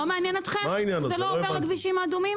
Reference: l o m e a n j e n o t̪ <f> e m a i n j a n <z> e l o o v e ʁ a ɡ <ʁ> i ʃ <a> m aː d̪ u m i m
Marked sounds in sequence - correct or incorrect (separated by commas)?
incorrect, correct, incorrect, incorrect